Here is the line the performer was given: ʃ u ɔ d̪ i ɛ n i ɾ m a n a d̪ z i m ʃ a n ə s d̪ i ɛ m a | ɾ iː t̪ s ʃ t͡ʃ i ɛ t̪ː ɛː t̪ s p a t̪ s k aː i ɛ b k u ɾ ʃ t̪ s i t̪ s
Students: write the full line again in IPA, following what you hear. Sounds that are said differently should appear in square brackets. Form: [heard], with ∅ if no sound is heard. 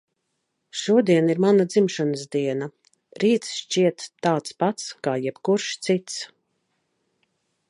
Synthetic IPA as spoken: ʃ u ɔ d̪ i ɛ n i ɾ m a n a d̪ z i m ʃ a n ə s d̪ i ɛ [n] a | ɾ iː t̪ s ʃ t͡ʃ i ɛ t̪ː [aː] t̪ s p a t̪ s k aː [j] ɛ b k u ɾ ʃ t̪ s i t̪ s